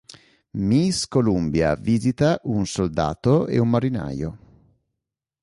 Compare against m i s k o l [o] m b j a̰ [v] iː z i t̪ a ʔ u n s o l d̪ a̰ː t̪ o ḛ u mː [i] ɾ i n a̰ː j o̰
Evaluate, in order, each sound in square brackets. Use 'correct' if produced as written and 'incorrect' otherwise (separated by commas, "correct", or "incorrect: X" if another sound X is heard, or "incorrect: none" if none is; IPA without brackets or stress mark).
incorrect: u, correct, incorrect: a